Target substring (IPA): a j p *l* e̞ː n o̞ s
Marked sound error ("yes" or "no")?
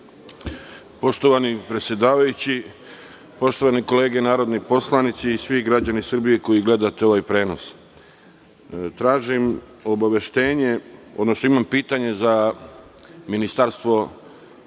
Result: yes